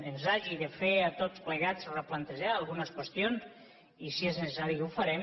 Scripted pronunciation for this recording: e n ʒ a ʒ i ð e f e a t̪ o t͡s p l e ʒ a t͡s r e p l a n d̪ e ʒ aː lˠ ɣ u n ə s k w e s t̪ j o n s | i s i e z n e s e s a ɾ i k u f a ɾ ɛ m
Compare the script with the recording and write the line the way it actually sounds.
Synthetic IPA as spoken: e n z a ʒ i ð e f e a t̪ o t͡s p l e ɣ a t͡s r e p l a n t̪ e ʒ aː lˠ ɣ u n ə s k w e s t̪ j o n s | i s i e z n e s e s a ɾ i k u f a ɾ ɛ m